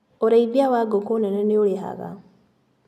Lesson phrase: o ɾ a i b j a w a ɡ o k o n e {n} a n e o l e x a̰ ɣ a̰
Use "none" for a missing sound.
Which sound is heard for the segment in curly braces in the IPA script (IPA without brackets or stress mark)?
n